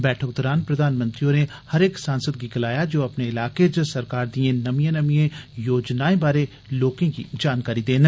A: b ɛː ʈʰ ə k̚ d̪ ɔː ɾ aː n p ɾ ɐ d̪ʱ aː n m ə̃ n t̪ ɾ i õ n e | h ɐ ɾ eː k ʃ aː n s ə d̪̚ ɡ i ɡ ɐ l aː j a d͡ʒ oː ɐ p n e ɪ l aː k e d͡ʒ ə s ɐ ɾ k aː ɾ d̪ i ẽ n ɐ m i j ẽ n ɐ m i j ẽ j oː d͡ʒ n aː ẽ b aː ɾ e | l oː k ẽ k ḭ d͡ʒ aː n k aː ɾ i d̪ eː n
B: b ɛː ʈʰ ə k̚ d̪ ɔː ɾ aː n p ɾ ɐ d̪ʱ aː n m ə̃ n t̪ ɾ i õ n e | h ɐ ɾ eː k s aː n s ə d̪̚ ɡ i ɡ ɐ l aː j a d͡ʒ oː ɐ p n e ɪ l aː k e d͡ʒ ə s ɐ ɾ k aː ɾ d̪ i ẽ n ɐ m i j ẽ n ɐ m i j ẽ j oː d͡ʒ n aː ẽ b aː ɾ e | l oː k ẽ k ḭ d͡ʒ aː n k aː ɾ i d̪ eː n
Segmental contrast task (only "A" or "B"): B